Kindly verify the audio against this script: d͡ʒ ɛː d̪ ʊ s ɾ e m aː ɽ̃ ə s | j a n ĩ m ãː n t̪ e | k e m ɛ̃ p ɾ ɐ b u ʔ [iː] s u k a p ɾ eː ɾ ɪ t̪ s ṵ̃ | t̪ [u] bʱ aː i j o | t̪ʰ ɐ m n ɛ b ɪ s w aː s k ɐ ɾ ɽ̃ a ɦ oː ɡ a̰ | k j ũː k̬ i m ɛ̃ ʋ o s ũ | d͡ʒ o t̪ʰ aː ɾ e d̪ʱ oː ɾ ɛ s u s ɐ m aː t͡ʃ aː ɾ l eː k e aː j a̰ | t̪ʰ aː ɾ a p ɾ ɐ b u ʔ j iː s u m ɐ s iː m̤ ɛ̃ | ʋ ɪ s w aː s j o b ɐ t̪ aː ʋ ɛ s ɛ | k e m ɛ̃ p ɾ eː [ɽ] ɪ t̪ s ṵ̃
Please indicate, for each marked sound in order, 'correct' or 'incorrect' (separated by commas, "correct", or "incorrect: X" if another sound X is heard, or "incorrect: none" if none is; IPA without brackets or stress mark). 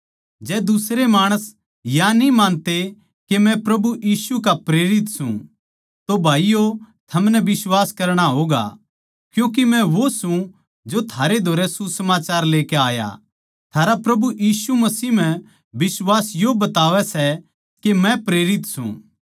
correct, incorrect: o, incorrect: ɾ